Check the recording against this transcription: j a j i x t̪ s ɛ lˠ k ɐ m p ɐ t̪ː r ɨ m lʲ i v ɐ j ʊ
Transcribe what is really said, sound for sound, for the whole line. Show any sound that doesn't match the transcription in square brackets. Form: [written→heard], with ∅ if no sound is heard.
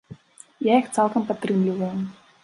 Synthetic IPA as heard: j a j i x t̪ s ɛ lˠ k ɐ m p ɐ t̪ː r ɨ m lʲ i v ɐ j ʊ